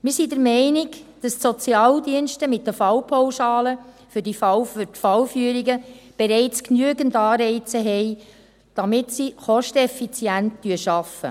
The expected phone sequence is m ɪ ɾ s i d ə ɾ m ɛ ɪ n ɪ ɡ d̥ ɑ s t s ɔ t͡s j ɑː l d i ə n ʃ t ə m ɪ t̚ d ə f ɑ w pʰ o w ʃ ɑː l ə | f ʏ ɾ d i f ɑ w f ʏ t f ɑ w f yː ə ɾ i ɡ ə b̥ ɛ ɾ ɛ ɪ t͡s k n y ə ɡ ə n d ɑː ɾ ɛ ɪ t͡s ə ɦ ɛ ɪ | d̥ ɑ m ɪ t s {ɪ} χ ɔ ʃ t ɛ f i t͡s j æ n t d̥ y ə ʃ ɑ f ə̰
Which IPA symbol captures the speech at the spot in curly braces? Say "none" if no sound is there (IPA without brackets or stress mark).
i